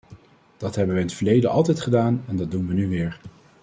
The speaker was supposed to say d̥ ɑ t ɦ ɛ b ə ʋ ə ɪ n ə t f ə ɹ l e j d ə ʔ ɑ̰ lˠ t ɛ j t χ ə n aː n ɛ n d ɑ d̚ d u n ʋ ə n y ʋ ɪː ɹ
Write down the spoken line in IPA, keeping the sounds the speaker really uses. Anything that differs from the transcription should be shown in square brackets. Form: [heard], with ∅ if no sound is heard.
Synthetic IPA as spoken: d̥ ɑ t ɦ ɛ b ə ʋ ə ɪ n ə t f ə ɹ l e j d ə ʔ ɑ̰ lˠ t ɛ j t χ ə [d] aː n ɛ n d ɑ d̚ d u n ʋ ə n y ʋ ɪː ɹ